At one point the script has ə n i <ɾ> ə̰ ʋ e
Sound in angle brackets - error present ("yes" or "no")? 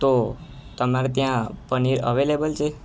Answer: no